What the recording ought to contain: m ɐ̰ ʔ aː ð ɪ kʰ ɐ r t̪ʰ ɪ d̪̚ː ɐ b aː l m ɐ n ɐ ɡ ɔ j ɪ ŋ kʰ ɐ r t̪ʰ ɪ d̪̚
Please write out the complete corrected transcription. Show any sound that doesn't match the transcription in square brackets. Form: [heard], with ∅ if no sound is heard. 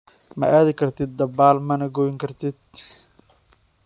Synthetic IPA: m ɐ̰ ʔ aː ð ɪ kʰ ɐ r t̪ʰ ɪ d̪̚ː ɐ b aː l m ɐ n ɐ ɡ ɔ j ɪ ŋ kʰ ɐ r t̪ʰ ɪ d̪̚